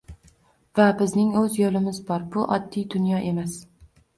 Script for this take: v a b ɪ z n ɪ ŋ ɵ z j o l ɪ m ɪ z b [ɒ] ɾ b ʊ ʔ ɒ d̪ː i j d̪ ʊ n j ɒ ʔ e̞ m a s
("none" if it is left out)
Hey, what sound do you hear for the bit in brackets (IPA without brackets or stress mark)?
ɒ